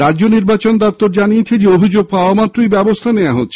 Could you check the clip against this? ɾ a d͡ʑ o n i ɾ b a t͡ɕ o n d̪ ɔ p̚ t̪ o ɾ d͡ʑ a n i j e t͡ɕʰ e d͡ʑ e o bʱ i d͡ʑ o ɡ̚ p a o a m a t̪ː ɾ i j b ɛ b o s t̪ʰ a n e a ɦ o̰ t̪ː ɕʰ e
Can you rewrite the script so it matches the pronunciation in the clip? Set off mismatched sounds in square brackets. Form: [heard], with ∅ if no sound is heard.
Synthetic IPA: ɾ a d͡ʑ o n i ɾ b a t͡ɕ o n d̪ ɔ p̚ t̪ o ɾ d͡ʑ a n i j e t͡ɕʰ e d͡ʑ e o bʱ i d͡ʑ o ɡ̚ p a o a m a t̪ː ɾ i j b ɛ b o s t̪ʰ a n e a ɦ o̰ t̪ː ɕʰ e